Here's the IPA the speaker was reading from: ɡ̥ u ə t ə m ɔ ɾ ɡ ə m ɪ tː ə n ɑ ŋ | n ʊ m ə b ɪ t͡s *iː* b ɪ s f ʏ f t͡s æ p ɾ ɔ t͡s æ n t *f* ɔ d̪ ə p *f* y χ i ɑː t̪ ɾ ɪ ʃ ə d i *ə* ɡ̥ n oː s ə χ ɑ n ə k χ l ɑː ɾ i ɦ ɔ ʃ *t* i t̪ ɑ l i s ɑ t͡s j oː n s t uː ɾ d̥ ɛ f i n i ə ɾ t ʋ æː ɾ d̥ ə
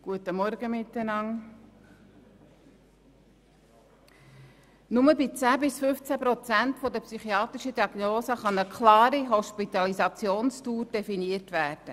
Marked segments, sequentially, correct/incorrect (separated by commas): incorrect, correct, incorrect, incorrect, incorrect